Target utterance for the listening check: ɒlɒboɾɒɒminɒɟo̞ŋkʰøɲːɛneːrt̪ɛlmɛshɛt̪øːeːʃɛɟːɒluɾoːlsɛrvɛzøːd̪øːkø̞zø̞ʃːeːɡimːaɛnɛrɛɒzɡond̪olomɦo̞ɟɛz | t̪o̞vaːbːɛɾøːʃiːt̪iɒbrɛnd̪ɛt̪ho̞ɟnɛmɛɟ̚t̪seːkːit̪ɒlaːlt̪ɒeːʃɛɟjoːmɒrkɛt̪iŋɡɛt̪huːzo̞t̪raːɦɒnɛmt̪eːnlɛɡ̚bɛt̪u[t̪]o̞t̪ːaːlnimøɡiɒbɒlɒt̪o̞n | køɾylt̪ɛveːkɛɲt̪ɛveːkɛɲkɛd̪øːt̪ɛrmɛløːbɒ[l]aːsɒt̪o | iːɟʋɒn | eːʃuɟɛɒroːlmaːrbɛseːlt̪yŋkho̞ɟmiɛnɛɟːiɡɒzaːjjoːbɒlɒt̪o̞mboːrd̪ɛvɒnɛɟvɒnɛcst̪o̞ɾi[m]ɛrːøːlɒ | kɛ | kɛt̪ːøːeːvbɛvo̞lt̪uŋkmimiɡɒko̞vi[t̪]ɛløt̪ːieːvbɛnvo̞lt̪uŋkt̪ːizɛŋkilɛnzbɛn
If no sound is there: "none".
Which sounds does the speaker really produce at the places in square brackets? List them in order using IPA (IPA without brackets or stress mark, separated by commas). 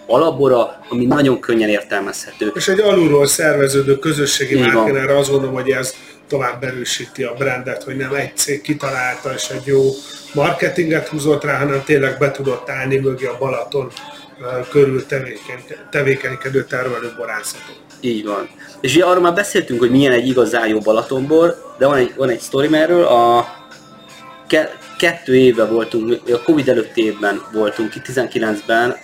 d̪, ɾ, m, d̪